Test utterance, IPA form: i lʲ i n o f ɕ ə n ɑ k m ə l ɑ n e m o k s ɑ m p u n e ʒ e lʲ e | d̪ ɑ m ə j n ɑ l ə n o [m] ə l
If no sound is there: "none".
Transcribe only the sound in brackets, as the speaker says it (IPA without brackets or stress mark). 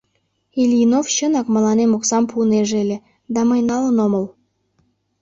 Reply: m